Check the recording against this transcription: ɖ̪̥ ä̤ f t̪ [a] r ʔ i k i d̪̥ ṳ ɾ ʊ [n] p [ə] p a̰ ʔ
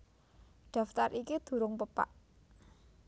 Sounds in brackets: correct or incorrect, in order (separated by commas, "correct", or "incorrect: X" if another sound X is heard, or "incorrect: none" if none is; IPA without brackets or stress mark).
correct, incorrect: ŋ, correct